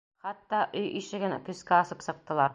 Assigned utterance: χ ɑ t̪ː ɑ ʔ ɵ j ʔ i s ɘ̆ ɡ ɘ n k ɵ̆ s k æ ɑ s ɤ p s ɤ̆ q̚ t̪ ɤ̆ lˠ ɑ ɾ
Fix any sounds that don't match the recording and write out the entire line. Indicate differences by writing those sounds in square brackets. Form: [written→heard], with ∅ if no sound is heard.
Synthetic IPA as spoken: χ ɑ t̪ː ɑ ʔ ɵ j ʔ i [s→ʃ] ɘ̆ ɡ ɘ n k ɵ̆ s k æ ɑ s ɤ p s ɤ̆ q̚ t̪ ɤ̆ lˠ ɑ ɾ